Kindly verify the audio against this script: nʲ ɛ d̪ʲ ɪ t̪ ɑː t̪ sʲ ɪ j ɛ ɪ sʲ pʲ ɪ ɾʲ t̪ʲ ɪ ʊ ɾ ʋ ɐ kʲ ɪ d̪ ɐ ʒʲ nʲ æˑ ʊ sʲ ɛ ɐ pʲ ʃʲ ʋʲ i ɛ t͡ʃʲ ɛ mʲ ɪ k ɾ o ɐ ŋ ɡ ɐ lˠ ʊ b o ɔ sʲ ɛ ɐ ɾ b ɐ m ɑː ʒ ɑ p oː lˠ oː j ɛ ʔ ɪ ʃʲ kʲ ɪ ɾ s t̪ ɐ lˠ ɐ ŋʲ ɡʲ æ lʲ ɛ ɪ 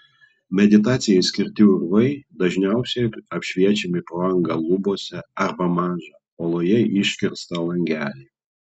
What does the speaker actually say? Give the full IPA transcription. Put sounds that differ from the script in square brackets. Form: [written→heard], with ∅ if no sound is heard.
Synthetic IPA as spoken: [nʲ→mʲ] ɛ d̪ʲ ɪ t̪ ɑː t̪ sʲ ɪ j ɛ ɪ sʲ [pʲ→kʲ] ɪ ɾʲ t̪ʲ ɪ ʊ ɾ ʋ ɐ [kʲ→∅] ɪ d̪ ɐ ʒʲ nʲ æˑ ʊ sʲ ɛ ɐ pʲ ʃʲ ʋʲ i ɛ t͡ʃʲ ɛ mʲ ɪ [k→p] ɾ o ɐ ŋ ɡ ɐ lˠ ʊ b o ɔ sʲ ɛ ɐ ɾ b ɐ m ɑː ʒ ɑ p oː lˠ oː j ɛ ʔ ɪ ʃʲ kʲ ɪ ɾ s t̪ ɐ lˠ ɐ ŋʲ ɡʲ [æ→æː] lʲ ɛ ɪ